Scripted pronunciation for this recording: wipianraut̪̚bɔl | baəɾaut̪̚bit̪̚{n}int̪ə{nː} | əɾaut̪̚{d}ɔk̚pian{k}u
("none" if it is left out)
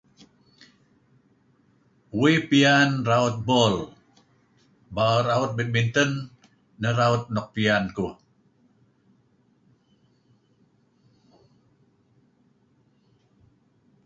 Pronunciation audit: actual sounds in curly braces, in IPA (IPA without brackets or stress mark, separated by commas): m, nː, n, k